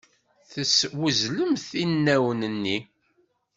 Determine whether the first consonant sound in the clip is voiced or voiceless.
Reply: voiceless